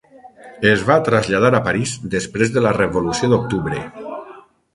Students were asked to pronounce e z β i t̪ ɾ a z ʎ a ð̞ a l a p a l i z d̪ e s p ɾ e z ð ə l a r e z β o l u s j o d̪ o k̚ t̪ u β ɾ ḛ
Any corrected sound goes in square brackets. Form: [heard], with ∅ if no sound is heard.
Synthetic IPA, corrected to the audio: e z β [a] t̪ ɾ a z ʎ a ð̞ a [ɾ] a p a [ɾ] i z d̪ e s p ɾ e z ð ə l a r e [∅] β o l u s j o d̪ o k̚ t̪ u β ɾ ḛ